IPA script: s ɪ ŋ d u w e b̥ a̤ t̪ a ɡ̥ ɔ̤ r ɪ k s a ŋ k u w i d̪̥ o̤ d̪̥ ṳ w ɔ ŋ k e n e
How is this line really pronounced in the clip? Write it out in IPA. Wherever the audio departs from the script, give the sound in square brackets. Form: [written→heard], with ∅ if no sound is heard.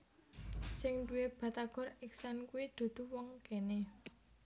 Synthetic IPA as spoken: s ɪ ŋ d u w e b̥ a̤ t̪ a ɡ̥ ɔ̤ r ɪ k s a [ŋ→n] k u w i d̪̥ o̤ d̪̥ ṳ w ɔ ŋ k e n e

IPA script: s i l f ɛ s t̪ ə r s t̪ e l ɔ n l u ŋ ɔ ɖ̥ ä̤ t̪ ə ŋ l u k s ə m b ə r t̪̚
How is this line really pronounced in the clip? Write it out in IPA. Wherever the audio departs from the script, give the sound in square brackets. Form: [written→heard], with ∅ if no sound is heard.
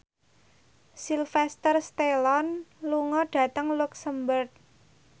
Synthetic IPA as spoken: s i l f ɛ s t̪ ə r s t̪ e l ɔ n l u ŋ ɔ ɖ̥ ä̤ t̪ ə ŋ l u k s ə m b ə r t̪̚

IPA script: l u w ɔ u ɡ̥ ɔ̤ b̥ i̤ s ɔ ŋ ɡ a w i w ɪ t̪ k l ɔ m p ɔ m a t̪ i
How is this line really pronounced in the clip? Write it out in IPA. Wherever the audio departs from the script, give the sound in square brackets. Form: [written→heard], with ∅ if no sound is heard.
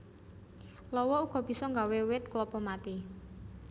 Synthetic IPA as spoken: l [u→ɔ] w ɔ u ɡ̥ ɔ̤ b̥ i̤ s ɔ ŋ ɡ a w [i→e] w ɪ t̪ k l ɔ [m→∅] p ɔ m a t̪ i

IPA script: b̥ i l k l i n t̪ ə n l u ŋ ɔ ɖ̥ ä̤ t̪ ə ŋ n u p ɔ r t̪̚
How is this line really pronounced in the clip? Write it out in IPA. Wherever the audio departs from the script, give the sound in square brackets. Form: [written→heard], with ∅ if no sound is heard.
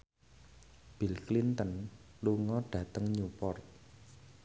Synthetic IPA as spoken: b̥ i l k l i n t̪ ə n l u ŋ ɔ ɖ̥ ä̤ t̪ ə ŋ [n→ɲ] u p ɔ r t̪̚

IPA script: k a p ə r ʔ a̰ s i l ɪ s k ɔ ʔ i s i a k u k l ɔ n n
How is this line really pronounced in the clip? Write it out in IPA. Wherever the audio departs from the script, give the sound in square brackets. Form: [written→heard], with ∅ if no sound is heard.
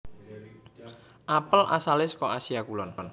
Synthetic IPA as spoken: [k→ʔ] a p ə [r→l] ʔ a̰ s [i→a] l ɪ s k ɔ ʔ [i→a] s i a k u [k→∅] l ɔ n n

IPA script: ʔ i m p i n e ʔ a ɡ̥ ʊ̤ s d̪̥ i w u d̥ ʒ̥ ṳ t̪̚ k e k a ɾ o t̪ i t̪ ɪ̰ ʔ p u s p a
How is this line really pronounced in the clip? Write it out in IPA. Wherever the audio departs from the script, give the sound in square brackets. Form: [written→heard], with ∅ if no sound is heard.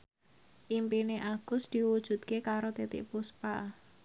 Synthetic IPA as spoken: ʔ i m p i n e ʔ a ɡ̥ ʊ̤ s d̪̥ i w u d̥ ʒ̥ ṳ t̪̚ k e k a ɾ o t̪ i t̪ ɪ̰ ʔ p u s p a

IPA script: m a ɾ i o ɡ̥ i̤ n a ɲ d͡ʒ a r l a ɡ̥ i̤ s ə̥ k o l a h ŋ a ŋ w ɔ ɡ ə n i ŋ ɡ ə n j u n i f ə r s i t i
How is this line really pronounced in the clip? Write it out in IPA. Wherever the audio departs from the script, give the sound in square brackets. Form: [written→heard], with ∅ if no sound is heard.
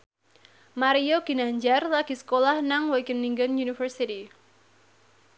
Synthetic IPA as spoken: m a ɾ i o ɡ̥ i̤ n a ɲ d͡ʒ a r l a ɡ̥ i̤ s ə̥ k o l a h [ŋ→n] a ŋ w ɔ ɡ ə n i ŋ ɡ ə n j u n i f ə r s i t i

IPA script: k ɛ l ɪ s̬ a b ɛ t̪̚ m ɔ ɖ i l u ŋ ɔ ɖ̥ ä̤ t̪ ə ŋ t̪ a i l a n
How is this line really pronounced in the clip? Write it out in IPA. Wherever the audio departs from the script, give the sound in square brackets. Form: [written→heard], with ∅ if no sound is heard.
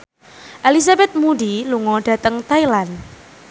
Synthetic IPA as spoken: [k→ʔ] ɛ l [ɪ→i] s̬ a b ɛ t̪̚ m [ɔ→u] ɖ i l u ŋ ɔ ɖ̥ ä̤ t̪ ə ŋ t̪ a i l a n

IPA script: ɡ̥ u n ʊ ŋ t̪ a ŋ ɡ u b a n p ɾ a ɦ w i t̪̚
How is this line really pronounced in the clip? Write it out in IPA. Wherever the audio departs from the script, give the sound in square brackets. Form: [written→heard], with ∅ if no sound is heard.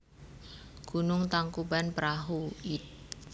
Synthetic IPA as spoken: ɡ̥ u n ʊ ŋ t̪ a ŋ [ɡ→k] u b a n p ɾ a ɦ [w→u] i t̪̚

